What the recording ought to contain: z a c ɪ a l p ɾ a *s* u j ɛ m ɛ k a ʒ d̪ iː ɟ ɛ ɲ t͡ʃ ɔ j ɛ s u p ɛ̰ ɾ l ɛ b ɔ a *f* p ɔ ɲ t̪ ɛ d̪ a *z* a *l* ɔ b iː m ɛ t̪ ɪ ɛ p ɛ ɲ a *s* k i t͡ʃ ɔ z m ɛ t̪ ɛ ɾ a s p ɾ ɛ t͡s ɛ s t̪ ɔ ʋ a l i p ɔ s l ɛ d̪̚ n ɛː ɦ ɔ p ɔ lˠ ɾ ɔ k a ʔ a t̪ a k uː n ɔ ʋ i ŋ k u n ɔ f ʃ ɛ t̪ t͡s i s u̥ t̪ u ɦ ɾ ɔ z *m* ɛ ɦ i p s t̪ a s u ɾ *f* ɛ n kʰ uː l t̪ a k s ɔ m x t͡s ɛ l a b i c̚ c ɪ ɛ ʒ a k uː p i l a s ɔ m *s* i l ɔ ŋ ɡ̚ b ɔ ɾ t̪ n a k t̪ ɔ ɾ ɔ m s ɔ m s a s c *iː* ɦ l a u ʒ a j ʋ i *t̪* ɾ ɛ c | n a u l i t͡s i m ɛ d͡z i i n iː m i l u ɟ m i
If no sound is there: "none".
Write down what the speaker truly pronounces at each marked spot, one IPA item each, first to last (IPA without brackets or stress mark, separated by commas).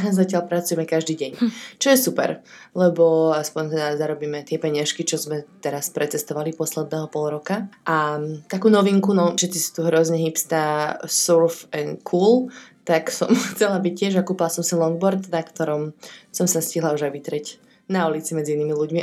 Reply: t͡s, s, z, ɾ, ʃ, ɲ, f, s, i, t̪